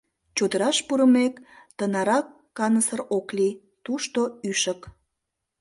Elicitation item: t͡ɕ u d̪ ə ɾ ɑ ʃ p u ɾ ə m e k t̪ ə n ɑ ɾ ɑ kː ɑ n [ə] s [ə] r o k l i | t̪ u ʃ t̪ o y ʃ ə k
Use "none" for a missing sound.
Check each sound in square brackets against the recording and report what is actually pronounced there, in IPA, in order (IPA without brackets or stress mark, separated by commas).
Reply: ə, ə